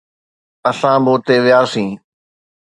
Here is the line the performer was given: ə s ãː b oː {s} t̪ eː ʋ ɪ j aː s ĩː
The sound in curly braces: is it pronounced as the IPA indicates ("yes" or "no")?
no